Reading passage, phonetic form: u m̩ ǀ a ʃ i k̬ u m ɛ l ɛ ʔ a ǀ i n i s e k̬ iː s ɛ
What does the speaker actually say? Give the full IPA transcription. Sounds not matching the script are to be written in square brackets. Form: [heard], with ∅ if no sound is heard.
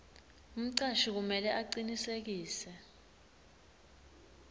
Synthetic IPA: u m̩ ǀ a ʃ i k̬ u m ɛ l ɛ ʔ a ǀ i n i s e k̬ iː s ɛ